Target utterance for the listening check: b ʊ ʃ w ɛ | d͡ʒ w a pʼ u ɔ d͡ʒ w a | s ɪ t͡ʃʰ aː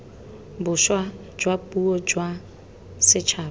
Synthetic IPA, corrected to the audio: b ʊ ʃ w a | d͡ʒ w a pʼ u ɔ d͡ʒ w a | s ɪ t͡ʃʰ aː